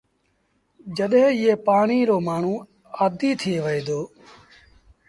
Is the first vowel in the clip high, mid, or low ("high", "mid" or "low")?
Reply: mid